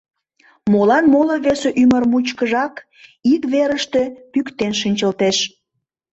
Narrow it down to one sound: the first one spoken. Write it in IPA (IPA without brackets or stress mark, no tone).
m